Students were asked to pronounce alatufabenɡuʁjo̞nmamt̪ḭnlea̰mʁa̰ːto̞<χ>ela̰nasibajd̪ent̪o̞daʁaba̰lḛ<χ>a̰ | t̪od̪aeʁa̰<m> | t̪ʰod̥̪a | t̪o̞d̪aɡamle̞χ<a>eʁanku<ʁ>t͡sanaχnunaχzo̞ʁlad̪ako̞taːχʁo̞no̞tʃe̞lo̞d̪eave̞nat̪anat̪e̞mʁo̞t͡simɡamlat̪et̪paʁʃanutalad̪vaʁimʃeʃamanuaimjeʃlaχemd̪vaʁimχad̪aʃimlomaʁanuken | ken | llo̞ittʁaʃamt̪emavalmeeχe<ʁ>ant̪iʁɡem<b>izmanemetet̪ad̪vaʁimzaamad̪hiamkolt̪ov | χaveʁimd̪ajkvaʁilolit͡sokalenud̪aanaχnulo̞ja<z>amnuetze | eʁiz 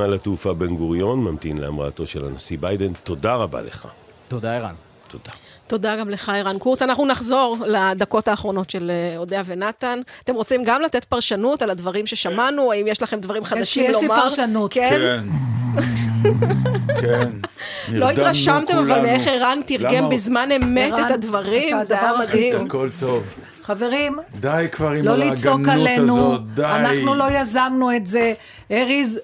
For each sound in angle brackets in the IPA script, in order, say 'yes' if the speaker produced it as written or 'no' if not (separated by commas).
no, yes, no, yes, yes, yes, yes, yes